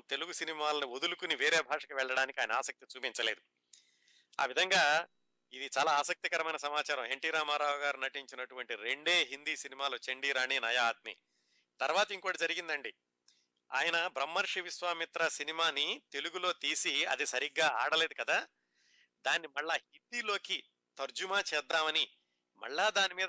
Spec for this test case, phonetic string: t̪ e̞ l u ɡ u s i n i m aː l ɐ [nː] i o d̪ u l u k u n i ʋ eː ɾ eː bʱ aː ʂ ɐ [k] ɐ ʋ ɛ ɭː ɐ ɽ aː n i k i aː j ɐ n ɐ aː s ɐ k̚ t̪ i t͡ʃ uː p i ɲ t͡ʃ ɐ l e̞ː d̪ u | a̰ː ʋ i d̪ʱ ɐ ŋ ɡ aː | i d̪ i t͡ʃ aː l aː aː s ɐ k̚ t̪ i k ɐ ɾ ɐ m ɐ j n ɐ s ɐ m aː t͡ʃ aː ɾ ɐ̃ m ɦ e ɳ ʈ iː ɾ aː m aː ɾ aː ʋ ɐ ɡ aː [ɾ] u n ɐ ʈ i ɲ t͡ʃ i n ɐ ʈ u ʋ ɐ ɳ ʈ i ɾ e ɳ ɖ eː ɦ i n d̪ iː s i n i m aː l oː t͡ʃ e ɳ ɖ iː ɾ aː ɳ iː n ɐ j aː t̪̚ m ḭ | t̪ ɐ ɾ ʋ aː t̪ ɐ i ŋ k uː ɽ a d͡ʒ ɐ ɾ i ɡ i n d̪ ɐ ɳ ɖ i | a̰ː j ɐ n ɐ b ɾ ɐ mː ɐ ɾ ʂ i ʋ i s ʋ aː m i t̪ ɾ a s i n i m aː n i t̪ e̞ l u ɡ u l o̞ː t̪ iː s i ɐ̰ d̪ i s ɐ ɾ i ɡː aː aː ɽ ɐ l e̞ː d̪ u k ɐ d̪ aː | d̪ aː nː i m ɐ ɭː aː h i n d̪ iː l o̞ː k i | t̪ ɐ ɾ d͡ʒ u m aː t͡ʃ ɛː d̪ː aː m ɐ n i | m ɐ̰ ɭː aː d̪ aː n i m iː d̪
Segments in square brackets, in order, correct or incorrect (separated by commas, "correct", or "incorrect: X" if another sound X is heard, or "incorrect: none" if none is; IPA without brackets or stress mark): incorrect: n, correct, correct